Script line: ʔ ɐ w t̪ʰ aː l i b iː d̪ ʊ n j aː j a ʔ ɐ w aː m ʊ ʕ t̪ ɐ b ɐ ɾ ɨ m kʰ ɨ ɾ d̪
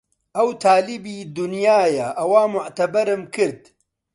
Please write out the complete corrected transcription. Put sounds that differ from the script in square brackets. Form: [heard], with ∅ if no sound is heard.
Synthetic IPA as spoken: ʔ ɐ w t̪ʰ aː l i b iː d̪ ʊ n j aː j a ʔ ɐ w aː m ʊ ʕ t̪ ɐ b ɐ ɾ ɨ m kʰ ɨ ɾ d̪